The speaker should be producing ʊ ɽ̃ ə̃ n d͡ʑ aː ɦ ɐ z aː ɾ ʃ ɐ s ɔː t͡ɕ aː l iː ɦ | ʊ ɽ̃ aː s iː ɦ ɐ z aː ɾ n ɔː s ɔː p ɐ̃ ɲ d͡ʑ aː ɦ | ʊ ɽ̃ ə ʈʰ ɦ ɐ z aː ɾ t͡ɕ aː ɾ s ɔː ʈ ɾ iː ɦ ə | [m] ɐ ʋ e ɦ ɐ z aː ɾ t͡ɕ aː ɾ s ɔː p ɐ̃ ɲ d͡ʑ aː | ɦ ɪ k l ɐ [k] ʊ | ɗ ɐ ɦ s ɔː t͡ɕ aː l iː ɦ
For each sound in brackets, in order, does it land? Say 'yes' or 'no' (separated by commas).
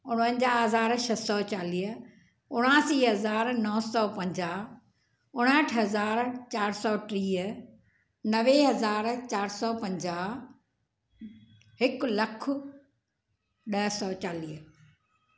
no, no